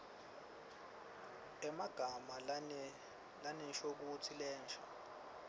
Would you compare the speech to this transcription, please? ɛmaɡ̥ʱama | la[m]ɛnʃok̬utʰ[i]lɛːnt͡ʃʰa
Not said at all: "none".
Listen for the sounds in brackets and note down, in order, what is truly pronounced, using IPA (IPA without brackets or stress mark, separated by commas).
n, i